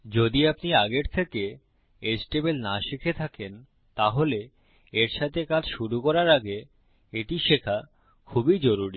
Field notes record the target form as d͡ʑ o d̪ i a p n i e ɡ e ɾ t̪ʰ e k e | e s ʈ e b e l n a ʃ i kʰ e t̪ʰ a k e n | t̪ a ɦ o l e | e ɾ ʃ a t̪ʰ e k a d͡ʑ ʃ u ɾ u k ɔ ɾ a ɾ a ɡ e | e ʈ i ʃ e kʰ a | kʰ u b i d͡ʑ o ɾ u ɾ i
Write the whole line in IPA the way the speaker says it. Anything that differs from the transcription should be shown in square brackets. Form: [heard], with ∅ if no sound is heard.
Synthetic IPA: d͡ʑ o d̪ i a p n i [a] ɡ e ɾ t̪ʰ e k e | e s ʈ e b e l n a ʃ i kʰ e t̪ʰ a k e n | t̪ a ɦ o l e | e ɾ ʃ a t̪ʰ e k a d͡ʑ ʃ u ɾ u k ɔ ɾ a ɾ a ɡ e | e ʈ i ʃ e kʰ a | kʰ u b i d͡ʑ o ɾ u ɾ i